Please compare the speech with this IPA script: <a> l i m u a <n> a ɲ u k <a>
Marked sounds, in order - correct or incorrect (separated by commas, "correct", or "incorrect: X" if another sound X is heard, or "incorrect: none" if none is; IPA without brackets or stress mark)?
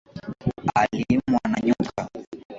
correct, correct, correct